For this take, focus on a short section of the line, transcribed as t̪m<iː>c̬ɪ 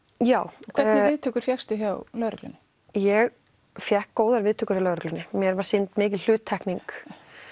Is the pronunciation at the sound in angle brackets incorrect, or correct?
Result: incorrect